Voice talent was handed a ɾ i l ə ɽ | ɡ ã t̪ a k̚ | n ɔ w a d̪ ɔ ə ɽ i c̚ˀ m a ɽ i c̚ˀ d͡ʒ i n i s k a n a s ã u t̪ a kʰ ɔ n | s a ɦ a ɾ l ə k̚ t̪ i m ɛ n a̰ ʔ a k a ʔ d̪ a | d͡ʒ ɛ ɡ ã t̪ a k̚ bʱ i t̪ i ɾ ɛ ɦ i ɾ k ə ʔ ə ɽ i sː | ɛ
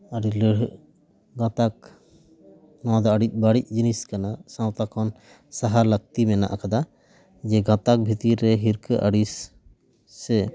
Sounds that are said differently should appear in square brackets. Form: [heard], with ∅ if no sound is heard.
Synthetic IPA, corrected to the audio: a ɾ i l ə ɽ | ɡ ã t̪ a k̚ | n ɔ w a d̪ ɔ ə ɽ i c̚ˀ [b] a ɽ i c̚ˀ d͡ʒ i n i s k a n a s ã [w] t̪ a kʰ ɔ n | s a ɦ a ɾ l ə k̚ t̪ i m ɛ n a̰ ʔ a k a [∅] d̪ a | d͡ʒ ɛ ɡ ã t̪ a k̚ bʱ i t̪ i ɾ ɛ ɦ i ɾ k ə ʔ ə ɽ i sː | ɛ